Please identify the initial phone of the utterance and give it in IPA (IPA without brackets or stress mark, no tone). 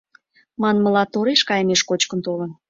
m